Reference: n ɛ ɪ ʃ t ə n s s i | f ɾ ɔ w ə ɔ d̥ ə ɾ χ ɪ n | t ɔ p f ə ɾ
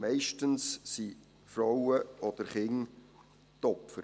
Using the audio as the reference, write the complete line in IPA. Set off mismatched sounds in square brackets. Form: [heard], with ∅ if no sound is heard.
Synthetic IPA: [m] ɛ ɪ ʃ t ə n s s i | f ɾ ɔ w ə ɔ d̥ ə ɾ χ ɪ [ŋ] | t ɔ p f ə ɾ